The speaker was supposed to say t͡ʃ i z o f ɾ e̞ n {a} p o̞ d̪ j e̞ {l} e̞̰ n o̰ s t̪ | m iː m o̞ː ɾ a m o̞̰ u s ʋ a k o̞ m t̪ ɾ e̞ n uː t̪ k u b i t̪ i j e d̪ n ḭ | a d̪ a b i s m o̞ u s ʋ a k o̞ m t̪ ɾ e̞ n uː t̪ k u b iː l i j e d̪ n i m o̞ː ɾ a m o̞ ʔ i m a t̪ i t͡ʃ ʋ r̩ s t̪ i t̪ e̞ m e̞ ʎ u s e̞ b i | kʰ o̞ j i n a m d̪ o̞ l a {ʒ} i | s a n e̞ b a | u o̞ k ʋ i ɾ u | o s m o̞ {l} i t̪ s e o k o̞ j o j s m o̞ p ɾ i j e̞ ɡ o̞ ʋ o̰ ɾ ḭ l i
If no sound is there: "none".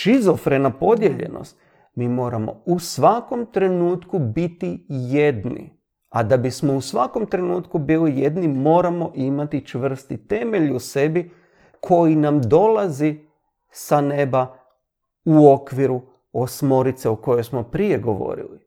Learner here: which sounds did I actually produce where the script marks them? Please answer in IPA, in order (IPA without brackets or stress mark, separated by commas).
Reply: a, ʎ, z, ɾ